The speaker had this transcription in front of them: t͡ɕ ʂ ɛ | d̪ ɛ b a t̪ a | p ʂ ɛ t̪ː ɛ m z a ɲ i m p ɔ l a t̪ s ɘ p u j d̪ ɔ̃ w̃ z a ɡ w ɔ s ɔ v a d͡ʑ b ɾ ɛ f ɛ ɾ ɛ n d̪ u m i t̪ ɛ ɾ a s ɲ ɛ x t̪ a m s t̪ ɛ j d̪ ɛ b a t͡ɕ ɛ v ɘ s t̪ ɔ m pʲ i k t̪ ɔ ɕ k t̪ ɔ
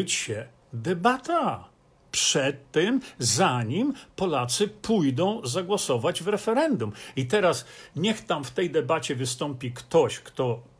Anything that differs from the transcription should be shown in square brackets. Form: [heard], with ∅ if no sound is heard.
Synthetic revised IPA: t͡ɕ [ɕ] ɛ | d̪ ɛ b a t̪ a | p ʂ ɛ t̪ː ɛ m z a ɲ i m p ɔ l a t̪ s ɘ p u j d̪ ɔ̃ w̃ z a ɡ w ɔ s ɔ v a d͡ʑ [v] ɾ ɛ f ɛ ɾ ɛ n d̪ u m i t̪ ɛ ɾ a s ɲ ɛ x t̪ a m [f] t̪ ɛ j d̪ ɛ b a t͡ɕ ɛ v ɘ s t̪ ɔ m pʲ i k t̪ ɔ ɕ k t̪ ɔ